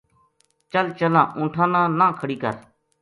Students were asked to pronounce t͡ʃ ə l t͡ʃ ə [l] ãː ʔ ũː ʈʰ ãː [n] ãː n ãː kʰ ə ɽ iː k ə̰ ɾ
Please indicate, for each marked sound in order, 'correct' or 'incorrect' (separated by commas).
correct, correct